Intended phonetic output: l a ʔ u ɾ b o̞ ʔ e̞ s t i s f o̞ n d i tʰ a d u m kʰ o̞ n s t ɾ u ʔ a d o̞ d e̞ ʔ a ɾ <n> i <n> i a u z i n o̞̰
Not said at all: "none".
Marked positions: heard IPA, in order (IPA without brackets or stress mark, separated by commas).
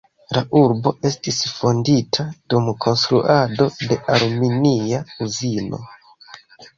m, n